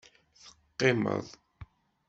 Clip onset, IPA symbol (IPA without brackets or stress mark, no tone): θ